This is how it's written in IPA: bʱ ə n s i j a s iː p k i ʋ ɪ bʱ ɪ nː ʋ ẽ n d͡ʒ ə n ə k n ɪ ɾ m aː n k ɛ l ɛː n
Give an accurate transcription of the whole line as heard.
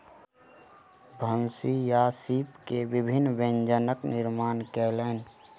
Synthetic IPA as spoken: bʱ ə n s i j a s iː p k e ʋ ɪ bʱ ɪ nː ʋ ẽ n d͡ʒ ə n ə k n ɪ ɾ m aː n k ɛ l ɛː n